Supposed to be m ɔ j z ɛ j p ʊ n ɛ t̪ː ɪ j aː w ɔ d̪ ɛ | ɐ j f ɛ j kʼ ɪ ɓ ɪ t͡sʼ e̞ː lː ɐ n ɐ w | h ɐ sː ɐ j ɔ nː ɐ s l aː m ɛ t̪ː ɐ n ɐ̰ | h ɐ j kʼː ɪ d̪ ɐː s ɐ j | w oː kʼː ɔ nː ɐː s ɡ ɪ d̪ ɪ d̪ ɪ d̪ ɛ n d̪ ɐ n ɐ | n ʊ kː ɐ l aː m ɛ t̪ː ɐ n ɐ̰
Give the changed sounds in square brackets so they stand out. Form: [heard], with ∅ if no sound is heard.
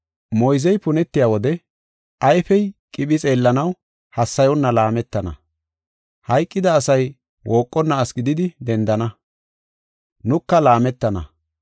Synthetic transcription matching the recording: m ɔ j z ɛ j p ʊ n ɛ t̪ː ɪ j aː w ɔ d̪ ɛ | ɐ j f ɛ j kʼ ɪ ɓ ɪ t͡sʼ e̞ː lː ɐ n ɐ w | h ɐ sː ɐ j ɔ nː ɐ [∅] l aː m ɛ t̪ː ɐ n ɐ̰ | h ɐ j kʼː ɪ d̪ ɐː s ɐ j | w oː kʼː ɔ nː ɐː s ɡ ɪ d̪ ɪ d̪ ɪ d̪ ɛ n d̪ ɐ n ɐ | n ʊ kː ɐ l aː m ɛ t̪ː ɐ n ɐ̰